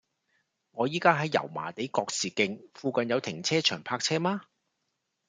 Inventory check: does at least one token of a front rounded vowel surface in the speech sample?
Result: yes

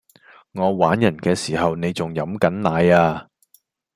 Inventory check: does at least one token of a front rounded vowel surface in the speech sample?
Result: no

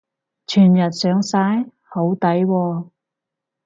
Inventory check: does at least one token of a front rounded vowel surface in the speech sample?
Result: yes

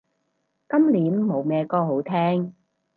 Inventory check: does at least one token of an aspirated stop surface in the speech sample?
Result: yes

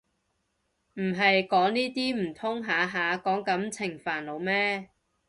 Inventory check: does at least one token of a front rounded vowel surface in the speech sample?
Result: no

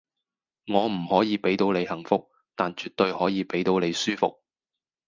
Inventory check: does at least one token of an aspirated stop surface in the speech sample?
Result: no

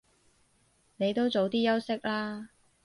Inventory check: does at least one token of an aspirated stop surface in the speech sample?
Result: no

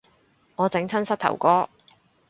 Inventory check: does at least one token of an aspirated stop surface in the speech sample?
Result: yes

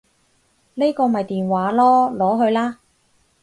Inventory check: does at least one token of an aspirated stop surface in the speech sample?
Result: no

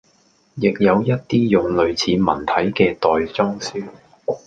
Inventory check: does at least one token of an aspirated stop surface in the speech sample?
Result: yes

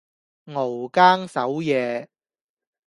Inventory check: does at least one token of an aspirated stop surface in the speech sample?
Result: no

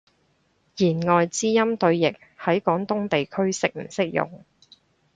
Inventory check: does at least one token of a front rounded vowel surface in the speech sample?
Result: no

